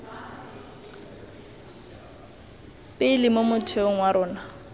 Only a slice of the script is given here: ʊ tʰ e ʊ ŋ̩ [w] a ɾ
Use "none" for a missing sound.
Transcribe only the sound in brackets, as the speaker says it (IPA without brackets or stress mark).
w